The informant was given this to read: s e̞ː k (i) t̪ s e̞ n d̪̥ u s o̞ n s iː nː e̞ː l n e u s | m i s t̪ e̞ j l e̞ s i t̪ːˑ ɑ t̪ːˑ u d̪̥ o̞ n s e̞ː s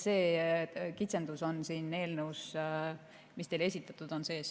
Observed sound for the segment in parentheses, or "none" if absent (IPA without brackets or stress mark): i